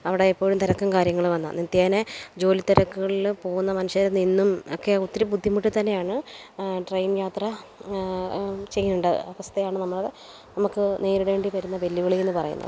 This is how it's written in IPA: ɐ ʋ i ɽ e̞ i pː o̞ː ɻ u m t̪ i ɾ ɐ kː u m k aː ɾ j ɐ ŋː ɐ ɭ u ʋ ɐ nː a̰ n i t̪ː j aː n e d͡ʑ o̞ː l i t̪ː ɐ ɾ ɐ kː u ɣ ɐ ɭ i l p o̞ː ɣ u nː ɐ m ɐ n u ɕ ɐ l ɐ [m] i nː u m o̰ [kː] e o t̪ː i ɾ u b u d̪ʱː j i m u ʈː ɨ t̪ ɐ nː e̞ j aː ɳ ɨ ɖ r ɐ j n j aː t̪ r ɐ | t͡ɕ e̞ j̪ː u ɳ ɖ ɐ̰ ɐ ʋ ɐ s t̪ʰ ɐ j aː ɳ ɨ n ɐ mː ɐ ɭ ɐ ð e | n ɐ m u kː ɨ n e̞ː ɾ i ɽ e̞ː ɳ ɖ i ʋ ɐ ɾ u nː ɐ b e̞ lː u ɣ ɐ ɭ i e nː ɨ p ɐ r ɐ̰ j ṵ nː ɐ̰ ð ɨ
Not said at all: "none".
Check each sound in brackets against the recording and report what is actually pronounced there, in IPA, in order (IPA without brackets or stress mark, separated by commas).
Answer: n, kː